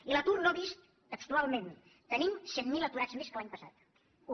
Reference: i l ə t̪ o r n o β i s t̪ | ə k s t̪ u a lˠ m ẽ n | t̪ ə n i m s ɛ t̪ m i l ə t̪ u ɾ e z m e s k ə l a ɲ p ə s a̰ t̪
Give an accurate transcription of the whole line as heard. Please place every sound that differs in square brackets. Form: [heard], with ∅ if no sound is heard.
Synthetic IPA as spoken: i l ə t̪ [u] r n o β i s t̪ | ə k s t̪ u a lˠ m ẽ n | t̪ ə n i m s ɛ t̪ m i l ə t̪ u ɾ [a] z m e s k ə l a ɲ p ə s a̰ t̪